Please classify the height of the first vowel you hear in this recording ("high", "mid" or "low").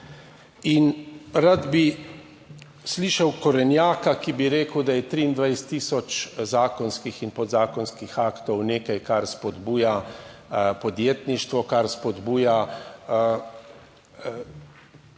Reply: high